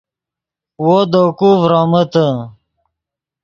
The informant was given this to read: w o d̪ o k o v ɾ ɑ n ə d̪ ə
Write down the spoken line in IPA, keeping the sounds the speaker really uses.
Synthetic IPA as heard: w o d̪ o k u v ɾ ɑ m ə t̪ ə